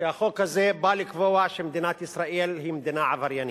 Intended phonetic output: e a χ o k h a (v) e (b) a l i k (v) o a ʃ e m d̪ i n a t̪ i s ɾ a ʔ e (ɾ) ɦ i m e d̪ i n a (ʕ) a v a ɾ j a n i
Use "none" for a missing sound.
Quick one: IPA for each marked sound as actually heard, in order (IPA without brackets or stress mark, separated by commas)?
z, b, v, l, ʕ